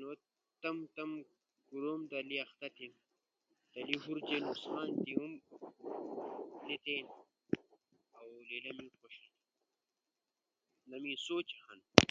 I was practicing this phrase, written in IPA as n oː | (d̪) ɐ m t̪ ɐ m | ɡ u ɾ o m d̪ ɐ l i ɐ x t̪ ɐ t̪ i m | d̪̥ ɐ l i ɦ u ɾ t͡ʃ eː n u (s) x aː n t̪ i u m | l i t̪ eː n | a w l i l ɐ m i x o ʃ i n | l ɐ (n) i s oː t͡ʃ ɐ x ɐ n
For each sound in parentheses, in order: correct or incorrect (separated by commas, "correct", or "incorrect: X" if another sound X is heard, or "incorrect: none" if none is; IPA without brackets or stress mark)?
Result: incorrect: t̪, correct, incorrect: m